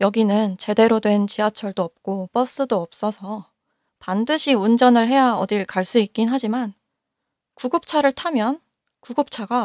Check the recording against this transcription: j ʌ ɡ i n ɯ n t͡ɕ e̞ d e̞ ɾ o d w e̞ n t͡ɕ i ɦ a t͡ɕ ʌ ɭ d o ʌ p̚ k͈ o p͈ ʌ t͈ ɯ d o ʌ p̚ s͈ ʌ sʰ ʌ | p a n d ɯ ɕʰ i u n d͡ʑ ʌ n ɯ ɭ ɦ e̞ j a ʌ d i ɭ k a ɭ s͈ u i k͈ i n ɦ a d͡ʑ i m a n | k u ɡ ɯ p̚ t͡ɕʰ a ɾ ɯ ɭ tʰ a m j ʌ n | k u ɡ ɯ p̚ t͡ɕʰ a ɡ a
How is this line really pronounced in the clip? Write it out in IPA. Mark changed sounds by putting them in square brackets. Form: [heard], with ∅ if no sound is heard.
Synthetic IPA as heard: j ʌ ɡ i n ɯ n t͡ɕ e̞ d e̞ ɾ o d w e̞ n t͡ɕ i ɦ a [t͡ɕʰ] ʌ ɭ d o ʌ p̚ k͈ o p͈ ʌ [s͈] ɯ d o ʌ p̚ s͈ ʌ sʰ ʌ | p a n d ɯ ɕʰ i u n d͡ʑ ʌ n ɯ ɭ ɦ e̞ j a ʌ d i ɭ k a ɭ s͈ u i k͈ i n ɦ a d͡ʑ i m a n | k u ɡ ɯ p̚ t͡ɕʰ a ɾ ɯ ɭ tʰ a m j ʌ n | k u ɡ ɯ p̚ t͡ɕʰ a ɡ a